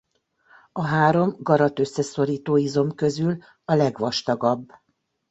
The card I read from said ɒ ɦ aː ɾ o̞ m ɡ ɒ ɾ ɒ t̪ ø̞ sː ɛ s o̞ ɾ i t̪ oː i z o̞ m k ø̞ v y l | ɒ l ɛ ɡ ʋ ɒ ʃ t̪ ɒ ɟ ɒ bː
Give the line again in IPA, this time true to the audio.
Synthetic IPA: ɒ ɦ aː ɾ o̞ m ɡ ɒ ɾ ɒ t̪ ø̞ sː ɛ s o̞ ɾ iː t̪ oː i z o̞ m k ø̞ z y l | ɒ l ɛ ɡ ʋ ɒ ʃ t̪ ɒ ɡ ɒ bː